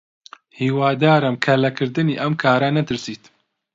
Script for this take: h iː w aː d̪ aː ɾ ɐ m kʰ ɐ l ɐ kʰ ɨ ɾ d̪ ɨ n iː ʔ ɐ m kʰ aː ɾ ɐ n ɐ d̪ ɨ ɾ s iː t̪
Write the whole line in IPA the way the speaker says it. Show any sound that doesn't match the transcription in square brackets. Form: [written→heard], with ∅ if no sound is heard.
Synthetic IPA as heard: h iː w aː d̪ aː ɾ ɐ m kʰ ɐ l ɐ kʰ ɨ ɾ d̪ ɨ n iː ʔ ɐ m kʰ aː ɾ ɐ n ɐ [d̪→t̪] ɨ ɾ s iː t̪